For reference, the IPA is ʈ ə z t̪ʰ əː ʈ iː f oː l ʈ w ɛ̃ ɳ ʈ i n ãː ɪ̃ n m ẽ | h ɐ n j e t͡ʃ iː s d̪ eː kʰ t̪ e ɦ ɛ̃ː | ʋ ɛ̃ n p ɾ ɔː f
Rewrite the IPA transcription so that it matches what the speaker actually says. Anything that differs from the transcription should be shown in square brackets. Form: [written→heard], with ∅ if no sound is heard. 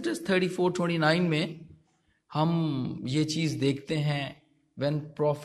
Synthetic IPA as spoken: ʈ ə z t̪ʰ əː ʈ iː f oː [l→ɾ] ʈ w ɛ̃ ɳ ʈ i n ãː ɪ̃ n m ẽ | h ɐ [n→m] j e t͡ʃ iː [s→z] d̪ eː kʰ t̪ e ɦ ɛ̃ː | ʋ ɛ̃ n p ɾ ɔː f